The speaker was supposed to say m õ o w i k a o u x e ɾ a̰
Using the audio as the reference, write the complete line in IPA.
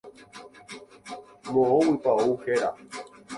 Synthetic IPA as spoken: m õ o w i p a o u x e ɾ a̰